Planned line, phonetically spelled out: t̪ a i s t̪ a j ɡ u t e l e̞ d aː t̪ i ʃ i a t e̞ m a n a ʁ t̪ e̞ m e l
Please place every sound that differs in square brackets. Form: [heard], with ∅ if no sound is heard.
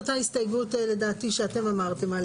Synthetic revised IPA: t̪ a i s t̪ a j ɡ u t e l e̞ d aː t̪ i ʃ [e] a t e̞ m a [m] a ʁ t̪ e̞ m [a] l